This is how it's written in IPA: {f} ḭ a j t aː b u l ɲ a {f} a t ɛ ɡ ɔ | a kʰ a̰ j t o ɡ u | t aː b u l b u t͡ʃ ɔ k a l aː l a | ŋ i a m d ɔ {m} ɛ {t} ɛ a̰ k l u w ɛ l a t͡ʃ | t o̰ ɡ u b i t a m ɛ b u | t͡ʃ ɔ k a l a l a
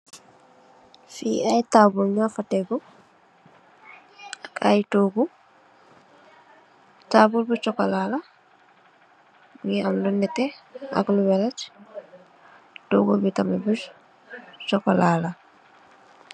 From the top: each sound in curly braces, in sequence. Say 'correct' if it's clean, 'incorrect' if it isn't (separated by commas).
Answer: correct, correct, incorrect, correct